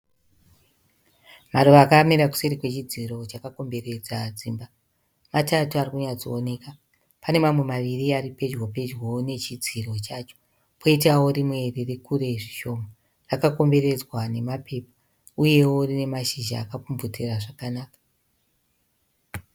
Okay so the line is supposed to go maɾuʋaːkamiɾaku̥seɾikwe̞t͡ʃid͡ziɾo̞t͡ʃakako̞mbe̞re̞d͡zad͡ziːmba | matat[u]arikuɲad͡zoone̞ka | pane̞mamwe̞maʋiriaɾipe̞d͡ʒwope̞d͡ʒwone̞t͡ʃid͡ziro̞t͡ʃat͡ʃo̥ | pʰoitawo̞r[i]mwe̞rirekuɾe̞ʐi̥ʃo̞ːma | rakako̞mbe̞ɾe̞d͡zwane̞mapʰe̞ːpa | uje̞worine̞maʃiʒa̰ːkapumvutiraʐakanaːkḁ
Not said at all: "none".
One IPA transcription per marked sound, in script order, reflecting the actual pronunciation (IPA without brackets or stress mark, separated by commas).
u, i